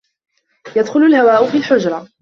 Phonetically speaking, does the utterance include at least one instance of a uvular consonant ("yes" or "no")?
no